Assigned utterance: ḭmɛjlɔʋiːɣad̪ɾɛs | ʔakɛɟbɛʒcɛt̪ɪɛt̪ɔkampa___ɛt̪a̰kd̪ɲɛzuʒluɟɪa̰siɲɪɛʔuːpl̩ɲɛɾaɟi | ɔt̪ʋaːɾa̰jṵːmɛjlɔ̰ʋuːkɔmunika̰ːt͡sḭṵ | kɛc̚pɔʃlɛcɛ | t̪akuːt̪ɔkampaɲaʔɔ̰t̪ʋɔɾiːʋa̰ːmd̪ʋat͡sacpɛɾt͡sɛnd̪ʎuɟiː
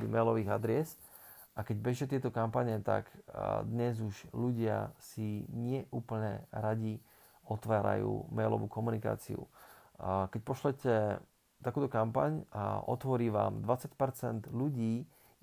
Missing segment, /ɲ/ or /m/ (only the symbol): ɲ